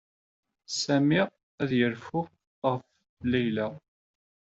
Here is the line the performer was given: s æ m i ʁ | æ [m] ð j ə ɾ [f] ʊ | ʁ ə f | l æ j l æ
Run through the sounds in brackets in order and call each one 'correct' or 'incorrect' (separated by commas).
incorrect, correct